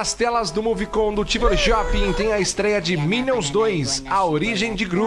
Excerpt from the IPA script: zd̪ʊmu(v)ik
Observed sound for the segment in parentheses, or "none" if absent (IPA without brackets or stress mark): v